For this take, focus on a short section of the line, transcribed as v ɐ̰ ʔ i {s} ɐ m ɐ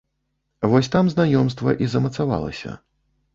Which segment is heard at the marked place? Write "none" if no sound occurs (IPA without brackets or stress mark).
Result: z